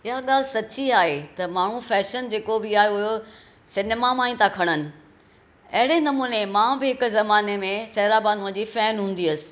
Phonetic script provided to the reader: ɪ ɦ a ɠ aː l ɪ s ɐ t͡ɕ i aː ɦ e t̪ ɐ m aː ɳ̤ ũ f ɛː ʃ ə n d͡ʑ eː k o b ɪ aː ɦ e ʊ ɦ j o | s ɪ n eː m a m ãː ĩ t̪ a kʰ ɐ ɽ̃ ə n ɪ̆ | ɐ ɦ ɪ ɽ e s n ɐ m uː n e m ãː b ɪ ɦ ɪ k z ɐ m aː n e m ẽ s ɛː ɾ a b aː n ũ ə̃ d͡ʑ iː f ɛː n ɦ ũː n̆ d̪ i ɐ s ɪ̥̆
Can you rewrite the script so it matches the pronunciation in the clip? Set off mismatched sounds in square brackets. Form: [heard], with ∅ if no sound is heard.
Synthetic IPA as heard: ɪ ɦ a ɠ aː l ɪ s ɐ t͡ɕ i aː ɦ e t̪ ɐ m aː ɳ̤ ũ f ɛː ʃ ə n d͡ʑ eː k o b ɪ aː ɦ e ʊ ɦ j o | s ɪ n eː m a m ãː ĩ t̪ a kʰ ɐ ɽ̃ ə n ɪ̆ | ɐ ɦ ɪ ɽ e [∅] n ɐ m uː n e m ãː b ɪ ɦ ɪ k z ɐ m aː n e m ẽ s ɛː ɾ a b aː n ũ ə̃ d͡ʑ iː f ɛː n ɦ ũː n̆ d̪ i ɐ s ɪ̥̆